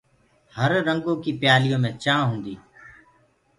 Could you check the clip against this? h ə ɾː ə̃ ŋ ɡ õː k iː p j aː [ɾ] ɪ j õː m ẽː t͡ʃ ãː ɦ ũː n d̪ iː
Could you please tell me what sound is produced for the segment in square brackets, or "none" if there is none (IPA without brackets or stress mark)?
l